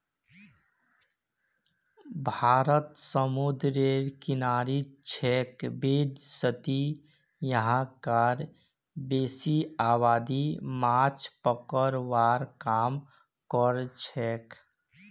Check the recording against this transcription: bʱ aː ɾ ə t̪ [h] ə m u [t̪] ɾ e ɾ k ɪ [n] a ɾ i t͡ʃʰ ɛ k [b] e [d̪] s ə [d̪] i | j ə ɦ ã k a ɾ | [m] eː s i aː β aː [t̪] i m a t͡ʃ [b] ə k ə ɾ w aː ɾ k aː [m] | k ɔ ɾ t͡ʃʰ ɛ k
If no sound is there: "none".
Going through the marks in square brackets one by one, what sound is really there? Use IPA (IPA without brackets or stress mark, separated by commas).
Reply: s, d̪, n, b, d̪, t̪, b, d̪, p, m